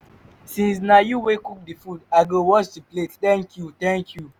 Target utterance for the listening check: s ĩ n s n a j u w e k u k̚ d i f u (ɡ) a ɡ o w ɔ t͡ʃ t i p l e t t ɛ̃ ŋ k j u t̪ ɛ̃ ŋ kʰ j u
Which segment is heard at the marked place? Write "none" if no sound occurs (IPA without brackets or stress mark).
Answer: d